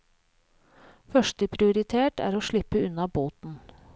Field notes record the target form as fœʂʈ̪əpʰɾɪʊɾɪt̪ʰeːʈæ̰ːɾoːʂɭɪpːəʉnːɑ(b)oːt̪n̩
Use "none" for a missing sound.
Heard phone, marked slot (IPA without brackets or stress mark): b